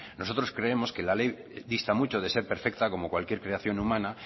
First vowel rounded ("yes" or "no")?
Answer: yes